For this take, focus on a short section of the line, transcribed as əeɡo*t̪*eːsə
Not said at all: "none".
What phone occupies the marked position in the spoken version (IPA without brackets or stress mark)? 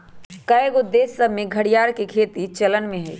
d̪